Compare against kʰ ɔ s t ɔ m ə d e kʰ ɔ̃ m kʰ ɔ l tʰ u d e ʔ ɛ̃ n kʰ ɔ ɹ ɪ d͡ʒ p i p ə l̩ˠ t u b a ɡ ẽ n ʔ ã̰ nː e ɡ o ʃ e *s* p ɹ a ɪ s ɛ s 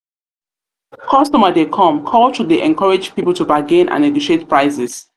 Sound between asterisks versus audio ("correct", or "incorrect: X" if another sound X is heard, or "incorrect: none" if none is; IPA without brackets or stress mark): incorrect: t